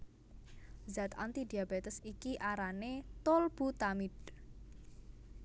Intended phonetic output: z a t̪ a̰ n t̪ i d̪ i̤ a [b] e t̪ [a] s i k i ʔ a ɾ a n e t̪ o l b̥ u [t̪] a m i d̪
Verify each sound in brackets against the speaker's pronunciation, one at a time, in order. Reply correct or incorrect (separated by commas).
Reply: correct, incorrect, correct